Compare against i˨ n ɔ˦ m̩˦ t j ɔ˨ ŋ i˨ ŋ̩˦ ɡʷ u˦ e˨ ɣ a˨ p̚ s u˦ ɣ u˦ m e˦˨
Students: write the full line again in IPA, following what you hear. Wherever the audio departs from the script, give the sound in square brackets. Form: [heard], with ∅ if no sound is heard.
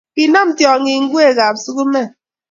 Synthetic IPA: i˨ n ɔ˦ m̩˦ t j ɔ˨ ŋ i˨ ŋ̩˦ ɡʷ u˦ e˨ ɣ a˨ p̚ s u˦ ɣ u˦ m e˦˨